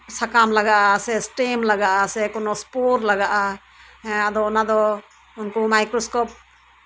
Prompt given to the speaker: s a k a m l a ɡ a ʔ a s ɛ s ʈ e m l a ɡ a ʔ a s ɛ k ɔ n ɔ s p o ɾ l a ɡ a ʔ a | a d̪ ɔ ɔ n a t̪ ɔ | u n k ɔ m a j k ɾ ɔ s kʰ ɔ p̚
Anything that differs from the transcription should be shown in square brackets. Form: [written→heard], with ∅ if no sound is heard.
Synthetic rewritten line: s a k a m l a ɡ a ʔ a s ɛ s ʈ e m l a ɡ a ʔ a s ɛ k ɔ n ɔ s p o ɾ l a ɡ a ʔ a | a d̪ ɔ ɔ n a [t̪→d̪] ɔ | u n k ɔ m a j k ɾ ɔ s [kʰ→k] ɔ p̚